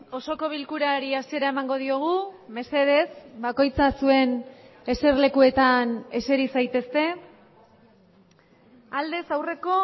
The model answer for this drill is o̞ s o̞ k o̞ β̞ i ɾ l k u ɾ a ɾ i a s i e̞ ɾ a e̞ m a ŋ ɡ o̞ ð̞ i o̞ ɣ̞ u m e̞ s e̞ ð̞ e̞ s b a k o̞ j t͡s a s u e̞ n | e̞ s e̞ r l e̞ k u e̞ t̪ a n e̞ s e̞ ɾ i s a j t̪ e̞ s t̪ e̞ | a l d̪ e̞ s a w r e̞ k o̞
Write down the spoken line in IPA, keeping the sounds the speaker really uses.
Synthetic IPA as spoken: o̞ s o̞ k o̞ β̞ i l k u ɾ a ɾ i a s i e̞ ɾ a e̞ m a ŋ ɡ o̞ ð̞ i o̞ ɣ̞ u m e̞ s e̞ ð̞ e̞ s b a k o̞ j t͡s a s u e̞ n | e̞ s e̞ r l e̞ k u e̞ t̪ a n e̞ s e̞ ɾ i s a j t̪ e̞ s t̪ e̞ | a l d̪ e̞ s a w r e̞ k o̞